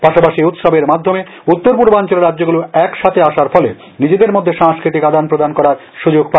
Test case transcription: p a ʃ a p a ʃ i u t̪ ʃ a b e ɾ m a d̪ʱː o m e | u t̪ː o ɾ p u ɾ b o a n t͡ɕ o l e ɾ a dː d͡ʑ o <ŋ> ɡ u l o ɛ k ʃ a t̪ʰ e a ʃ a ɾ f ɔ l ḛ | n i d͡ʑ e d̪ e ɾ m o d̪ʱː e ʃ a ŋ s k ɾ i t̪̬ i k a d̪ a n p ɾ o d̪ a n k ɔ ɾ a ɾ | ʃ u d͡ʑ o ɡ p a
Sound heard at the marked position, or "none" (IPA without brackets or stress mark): none